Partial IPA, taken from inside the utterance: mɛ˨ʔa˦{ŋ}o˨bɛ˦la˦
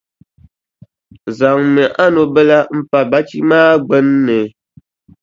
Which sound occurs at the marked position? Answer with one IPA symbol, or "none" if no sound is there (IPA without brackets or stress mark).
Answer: n